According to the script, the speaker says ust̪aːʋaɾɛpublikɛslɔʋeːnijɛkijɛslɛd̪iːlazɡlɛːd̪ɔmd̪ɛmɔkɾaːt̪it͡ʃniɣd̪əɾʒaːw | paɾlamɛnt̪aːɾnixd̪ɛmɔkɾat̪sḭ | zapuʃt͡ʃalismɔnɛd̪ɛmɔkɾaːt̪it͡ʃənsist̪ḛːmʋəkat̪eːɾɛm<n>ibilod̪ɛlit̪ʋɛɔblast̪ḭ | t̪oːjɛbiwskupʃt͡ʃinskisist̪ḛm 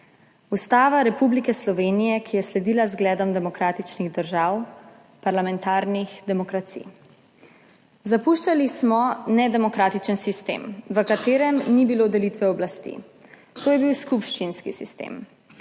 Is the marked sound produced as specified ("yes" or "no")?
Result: yes